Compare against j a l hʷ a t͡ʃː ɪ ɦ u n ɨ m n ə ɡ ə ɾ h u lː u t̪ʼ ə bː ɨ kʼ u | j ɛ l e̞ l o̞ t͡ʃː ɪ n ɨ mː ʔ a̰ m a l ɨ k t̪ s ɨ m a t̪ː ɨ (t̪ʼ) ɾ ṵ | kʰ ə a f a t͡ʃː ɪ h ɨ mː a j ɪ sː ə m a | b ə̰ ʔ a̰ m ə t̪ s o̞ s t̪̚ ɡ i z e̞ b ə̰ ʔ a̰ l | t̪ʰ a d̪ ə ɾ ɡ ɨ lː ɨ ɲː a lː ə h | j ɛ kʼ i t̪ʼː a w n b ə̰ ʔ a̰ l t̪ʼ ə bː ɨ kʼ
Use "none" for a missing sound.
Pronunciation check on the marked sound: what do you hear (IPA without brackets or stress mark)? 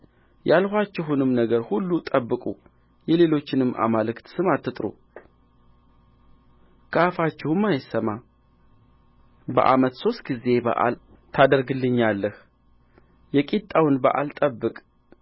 t̪ʼ